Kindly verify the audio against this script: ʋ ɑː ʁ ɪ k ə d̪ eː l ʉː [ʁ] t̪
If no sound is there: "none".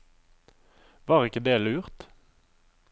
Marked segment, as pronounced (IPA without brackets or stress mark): ʁ